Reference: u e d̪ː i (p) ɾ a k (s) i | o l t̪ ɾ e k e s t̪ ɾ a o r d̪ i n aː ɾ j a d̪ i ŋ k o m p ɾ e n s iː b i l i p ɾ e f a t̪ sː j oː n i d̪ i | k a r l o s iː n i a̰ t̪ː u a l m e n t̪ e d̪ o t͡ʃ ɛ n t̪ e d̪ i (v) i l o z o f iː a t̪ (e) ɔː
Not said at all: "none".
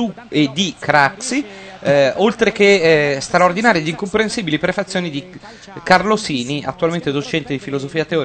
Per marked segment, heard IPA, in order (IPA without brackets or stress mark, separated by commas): k, s, f, e